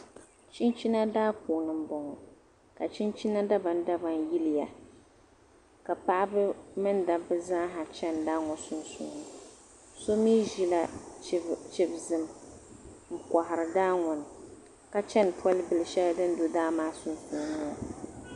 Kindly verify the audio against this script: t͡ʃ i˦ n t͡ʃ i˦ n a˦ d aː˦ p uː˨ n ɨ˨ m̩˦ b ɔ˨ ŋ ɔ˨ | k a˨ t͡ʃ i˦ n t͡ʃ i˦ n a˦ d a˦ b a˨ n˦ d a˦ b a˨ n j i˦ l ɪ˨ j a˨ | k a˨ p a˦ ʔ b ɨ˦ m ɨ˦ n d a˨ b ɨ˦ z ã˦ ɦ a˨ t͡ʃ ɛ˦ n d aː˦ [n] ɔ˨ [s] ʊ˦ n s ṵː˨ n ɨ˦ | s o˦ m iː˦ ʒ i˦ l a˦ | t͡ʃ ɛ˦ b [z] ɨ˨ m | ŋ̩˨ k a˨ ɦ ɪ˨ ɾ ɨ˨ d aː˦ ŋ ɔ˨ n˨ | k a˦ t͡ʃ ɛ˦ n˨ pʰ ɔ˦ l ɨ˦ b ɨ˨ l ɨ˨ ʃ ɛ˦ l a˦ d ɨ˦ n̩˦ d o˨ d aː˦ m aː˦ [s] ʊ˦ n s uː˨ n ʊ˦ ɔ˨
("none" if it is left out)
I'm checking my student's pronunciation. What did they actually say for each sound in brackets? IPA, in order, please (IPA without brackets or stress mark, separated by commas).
ŋ, s, z, s